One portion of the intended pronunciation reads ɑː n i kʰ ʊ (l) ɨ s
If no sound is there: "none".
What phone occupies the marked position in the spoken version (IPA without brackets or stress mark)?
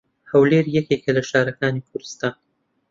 ɾ